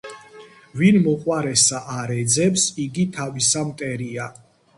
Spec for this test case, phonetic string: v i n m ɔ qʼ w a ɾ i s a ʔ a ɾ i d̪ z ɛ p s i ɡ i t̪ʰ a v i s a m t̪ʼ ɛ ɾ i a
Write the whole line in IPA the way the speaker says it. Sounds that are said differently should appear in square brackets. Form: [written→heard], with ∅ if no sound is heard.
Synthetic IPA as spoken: v i n m ɔ qʼ w a ɾ [i→ɛ] s a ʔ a ɾ [i→ɛ] d̪ z ɛ p s i ɡ i t̪ʰ a v i s a m t̪ʼ ɛ ɾ i a

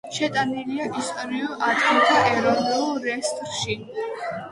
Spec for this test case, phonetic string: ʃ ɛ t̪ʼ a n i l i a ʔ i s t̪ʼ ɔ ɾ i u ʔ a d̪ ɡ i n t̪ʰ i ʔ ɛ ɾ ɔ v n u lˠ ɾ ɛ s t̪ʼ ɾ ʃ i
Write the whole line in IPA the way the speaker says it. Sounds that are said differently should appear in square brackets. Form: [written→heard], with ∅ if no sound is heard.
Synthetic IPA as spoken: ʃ ɛ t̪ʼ a n i l i a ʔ i s t̪ʼ ɔ ɾ i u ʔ a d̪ ɡ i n t̪ʰ [i→a] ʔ ɛ ɾ ɔ v n u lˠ ɾ ɛ s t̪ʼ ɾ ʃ i

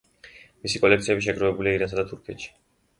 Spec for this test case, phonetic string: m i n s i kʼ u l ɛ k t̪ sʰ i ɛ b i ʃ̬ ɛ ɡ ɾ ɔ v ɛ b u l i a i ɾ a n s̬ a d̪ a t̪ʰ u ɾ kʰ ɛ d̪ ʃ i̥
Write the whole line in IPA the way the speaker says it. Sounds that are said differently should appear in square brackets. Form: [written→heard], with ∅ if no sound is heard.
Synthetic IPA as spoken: m i [n→∅] s i kʼ [u→ɔ] l ɛ k t̪ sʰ i ɛ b i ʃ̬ ɛ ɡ ɾ ɔ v ɛ b u l i a i ɾ a n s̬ a d̪ a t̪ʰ u ɾ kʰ ɛ [d̪→t̪] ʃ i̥

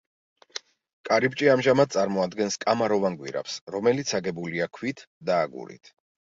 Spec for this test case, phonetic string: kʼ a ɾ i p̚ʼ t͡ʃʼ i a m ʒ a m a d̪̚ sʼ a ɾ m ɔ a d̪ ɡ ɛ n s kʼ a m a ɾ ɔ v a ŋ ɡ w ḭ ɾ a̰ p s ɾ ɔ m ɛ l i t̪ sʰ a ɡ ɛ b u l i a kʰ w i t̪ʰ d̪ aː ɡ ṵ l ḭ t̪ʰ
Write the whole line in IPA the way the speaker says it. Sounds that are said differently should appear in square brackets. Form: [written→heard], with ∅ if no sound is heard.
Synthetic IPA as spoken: kʼ a ɾ i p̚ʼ t͡ʃʼ i a m ʒ a m a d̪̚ sʼ a ɾ m ɔ a d̪ ɡ ɛ n s kʼ a m a ɾ ɔ v a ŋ ɡ w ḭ ɾ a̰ p s ɾ ɔ m ɛ l i t̪ sʰ a ɡ ɛ b u l i a kʰ w i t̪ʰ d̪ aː ɡ ṵ [l→ɾ] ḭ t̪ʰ

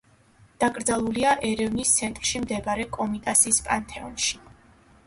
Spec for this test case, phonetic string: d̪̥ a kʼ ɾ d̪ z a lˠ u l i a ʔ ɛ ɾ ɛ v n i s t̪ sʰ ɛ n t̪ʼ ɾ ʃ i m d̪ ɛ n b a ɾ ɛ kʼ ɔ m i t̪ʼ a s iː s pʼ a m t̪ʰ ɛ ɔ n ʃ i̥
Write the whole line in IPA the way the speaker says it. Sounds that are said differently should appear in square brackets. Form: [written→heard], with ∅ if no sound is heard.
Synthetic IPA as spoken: d̪̥ a kʼ ɾ d̪ z a lˠ u l i a ʔ ɛ ɾ ɛ v n i s t̪ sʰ ɛ n t̪ʼ ɾ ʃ i m d̪ ɛ [n→∅] b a ɾ ɛ kʼ ɔ m i t̪ʼ a s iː s pʼ a [m→n] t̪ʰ ɛ ɔ n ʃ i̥

